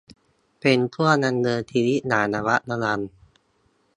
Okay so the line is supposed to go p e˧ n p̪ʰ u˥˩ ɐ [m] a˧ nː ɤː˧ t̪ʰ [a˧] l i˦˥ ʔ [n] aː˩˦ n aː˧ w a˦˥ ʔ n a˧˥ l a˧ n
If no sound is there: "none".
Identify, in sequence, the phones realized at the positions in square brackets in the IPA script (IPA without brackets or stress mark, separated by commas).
n, i˧, n